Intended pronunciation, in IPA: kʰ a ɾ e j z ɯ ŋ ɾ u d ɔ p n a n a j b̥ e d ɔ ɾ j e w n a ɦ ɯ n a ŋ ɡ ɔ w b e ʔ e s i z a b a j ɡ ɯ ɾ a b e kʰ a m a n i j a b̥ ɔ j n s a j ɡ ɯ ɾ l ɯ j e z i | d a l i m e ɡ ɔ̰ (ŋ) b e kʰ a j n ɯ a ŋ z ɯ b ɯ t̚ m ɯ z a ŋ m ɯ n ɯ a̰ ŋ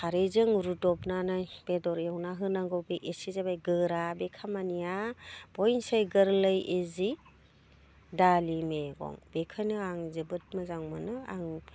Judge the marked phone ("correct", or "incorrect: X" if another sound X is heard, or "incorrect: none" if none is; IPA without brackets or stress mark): correct